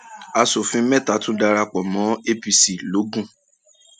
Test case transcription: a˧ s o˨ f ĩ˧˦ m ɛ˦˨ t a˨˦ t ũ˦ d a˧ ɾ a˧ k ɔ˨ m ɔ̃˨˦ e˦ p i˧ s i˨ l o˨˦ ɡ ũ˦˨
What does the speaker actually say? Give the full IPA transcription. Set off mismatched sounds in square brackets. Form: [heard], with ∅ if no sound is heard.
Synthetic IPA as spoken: a˧ s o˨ f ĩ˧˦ m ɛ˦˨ t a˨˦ t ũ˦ d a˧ ɾ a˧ [k͡p] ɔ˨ m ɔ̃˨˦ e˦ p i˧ s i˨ l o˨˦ ɡ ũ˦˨